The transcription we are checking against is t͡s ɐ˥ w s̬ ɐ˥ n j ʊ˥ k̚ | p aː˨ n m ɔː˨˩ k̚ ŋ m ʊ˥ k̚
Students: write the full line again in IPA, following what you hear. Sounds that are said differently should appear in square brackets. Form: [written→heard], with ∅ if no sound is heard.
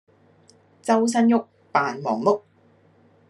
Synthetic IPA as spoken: t͡s ɐ˥ w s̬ ɐ˥ n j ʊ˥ k̚ | p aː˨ n m ɔː˨˩ [k̚→∅] ŋ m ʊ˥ k̚